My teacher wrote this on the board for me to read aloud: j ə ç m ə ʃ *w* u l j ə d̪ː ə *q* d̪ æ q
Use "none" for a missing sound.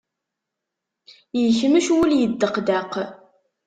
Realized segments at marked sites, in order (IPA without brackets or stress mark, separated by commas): w, q